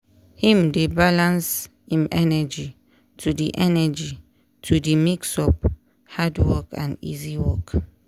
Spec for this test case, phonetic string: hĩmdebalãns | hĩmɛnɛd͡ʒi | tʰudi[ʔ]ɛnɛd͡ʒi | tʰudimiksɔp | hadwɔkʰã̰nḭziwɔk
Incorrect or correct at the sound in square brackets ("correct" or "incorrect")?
correct